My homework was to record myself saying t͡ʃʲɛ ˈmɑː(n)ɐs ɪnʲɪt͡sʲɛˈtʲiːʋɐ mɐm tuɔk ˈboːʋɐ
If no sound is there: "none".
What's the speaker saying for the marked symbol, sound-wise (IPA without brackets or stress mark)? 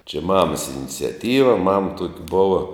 m